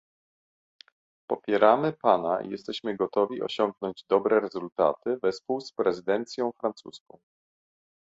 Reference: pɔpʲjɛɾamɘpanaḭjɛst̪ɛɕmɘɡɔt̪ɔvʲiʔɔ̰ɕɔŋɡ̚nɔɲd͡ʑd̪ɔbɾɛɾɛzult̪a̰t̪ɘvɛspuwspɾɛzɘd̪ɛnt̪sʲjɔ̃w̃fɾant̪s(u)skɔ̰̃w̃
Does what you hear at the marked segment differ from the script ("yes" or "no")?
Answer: no